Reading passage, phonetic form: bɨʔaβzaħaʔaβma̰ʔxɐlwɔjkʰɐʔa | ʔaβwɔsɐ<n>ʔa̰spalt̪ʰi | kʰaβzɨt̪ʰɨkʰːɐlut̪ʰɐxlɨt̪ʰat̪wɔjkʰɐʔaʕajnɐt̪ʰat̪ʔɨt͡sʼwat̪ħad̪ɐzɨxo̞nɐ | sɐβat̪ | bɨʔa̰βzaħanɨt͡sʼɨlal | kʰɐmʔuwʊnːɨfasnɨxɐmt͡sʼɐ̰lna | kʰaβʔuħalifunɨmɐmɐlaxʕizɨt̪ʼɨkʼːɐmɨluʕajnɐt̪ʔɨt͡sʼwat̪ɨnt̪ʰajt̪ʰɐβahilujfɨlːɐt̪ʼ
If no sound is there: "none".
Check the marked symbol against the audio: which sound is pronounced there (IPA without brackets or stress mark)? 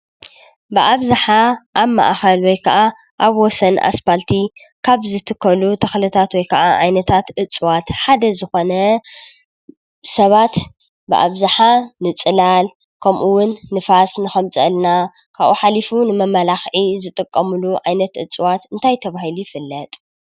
n